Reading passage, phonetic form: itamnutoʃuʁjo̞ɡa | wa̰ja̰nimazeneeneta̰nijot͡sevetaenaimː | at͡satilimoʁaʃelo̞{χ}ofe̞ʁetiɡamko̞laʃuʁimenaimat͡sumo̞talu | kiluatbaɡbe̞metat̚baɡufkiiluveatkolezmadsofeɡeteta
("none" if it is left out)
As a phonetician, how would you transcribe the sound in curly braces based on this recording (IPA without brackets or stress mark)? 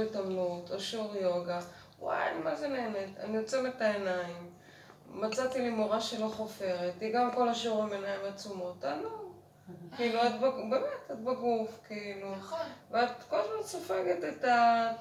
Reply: χ